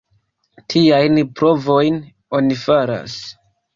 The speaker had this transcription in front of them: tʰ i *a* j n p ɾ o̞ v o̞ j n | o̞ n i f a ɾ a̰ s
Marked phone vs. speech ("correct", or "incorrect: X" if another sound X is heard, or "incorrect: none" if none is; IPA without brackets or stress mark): correct